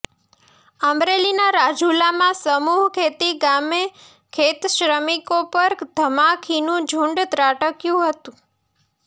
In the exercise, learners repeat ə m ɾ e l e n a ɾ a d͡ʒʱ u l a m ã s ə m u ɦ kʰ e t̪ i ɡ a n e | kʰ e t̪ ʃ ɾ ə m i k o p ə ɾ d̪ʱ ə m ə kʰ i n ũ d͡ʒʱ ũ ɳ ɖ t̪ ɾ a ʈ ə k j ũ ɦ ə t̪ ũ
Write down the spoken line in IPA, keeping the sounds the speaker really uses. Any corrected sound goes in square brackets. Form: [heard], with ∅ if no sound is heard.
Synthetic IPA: ə m ɾ e l [i] n a ɾ a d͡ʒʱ u l a m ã s ə m u ɦ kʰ e t̪ i ɡ a [m] e | kʰ e t̪ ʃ ɾ ə m i k o p ə ɾ d̪ʱ ə m [a] kʰ i n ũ d͡ʒʱ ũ ɳ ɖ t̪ ɾ a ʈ ə k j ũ ɦ ə t̪ ũ